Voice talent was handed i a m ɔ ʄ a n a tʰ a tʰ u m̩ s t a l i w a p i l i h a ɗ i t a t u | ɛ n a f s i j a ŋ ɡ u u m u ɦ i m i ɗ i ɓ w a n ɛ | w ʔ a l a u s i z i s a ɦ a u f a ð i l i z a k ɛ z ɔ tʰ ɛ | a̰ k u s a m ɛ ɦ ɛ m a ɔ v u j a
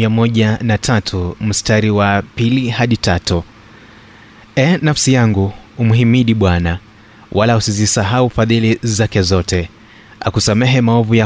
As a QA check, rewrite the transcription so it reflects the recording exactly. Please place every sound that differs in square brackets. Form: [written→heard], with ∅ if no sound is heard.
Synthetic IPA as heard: i a m ɔ ʄ a n a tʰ a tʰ u m̩ s t a [l→ɾ] i w a p i l i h a ɗ i t a t u | ɛ n a f s i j a ŋ ɡ u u m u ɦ i m i ɗ i ɓ w a n [ɛ→a] | w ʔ a l a u s i z i s a ɦ a u f a ð i l i z a k ɛ z ɔ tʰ ɛ | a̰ k u s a m ɛ ɦ ɛ m a ɔ v u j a